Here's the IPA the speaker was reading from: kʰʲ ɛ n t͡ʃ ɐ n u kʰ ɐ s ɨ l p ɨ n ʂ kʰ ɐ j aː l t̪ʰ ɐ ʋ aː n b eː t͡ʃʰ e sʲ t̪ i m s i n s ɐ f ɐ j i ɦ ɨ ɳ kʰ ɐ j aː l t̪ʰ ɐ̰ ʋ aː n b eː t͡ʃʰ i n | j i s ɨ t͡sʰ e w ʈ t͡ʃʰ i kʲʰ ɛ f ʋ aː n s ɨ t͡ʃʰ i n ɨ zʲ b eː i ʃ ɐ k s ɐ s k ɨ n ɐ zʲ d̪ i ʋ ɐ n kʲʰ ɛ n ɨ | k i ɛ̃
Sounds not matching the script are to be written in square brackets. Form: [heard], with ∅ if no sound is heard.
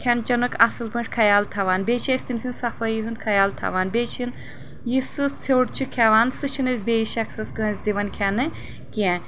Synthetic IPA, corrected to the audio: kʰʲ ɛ n t͡ʃ ɐ n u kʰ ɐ s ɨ l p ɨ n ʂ kʰ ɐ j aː l t̪ʰ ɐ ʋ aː n b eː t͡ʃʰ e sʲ t̪ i m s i n s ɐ f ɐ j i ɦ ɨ [n] kʰ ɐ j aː l t̪ʰ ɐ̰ ʋ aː n b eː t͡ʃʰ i n | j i s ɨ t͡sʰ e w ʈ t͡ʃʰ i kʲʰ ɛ [∅] ʋ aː n s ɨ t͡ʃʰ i n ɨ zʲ b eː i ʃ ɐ k s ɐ s k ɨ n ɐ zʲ d̪ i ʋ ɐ n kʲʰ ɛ n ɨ | k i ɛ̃